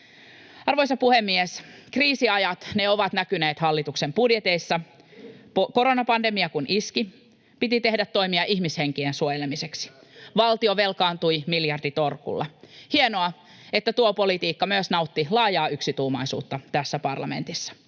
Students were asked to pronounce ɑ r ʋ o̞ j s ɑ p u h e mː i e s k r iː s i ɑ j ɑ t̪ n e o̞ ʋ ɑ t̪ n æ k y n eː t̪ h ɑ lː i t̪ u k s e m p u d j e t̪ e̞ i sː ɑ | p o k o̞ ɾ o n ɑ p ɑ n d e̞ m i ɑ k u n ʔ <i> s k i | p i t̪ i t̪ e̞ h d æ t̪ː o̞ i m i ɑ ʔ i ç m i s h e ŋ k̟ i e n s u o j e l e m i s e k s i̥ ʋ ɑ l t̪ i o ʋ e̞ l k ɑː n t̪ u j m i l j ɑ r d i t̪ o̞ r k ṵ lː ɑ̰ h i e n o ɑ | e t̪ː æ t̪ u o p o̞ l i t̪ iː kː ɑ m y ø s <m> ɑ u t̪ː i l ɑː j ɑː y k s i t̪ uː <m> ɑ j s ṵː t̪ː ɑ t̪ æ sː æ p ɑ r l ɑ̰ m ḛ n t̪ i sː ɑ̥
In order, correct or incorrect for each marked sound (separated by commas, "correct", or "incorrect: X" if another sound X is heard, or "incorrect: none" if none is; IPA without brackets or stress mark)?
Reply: correct, incorrect: n, correct